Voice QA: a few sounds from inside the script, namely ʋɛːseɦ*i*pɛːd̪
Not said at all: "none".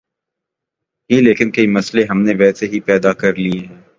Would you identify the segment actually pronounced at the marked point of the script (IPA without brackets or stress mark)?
i